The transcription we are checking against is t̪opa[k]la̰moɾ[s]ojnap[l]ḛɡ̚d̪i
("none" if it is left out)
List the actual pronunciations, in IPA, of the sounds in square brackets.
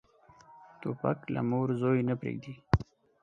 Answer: k, z, ɾ

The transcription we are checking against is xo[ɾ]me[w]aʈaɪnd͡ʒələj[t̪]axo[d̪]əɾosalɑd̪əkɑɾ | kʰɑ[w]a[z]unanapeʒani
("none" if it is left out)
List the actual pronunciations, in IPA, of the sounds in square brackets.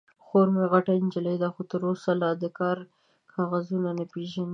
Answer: ɾ, ɣ, d̪, t̪, ɣ, z

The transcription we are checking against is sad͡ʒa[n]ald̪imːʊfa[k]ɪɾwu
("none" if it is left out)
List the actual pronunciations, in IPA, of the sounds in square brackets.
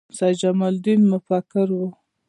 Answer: m, k

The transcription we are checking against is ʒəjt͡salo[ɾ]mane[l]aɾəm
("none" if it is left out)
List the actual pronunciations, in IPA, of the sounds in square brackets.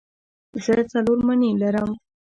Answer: ɾ, l

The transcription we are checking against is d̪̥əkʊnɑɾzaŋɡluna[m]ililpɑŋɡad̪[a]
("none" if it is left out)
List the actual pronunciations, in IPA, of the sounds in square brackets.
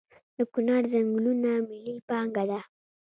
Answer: m, a

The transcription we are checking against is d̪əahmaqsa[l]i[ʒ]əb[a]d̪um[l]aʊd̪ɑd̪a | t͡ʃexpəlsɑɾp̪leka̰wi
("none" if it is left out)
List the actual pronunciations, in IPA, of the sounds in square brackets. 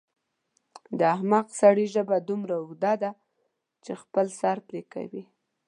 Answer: ɽ, ʒ, a, ɾ

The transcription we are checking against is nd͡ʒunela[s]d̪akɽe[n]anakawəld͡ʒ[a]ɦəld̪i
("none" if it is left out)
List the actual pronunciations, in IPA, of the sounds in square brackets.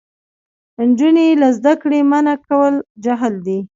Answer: z, m, a

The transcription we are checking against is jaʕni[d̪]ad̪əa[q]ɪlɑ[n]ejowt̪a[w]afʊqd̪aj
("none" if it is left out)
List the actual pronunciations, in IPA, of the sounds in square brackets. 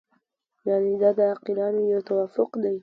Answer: d̪, q, n, w

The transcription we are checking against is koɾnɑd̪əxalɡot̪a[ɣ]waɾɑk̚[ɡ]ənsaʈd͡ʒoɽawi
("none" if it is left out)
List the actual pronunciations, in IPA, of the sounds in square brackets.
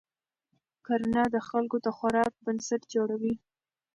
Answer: x, b

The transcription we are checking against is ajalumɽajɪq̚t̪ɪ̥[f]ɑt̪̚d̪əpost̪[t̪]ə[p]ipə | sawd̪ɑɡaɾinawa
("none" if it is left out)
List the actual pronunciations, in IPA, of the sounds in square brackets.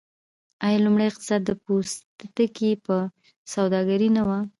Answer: s, t̪, k

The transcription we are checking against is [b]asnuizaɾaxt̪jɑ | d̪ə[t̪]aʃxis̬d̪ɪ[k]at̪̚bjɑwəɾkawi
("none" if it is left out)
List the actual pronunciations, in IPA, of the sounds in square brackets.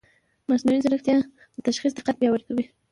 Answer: m, t̪, q

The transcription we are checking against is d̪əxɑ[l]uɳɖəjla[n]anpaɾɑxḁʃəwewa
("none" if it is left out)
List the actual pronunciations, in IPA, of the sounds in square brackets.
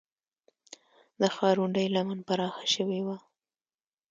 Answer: ɾ, m

